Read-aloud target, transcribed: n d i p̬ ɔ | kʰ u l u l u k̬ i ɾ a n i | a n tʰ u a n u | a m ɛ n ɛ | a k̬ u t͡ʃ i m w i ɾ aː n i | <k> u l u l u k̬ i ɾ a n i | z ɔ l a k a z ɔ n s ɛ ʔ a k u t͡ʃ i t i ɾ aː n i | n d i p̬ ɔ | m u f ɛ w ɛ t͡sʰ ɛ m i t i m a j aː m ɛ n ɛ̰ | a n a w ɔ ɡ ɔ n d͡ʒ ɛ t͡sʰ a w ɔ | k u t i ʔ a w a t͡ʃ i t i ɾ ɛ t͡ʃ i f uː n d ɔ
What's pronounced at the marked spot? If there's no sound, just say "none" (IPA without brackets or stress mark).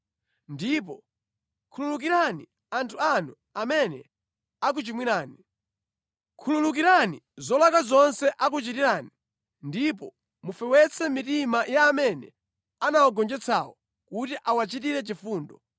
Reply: kʰ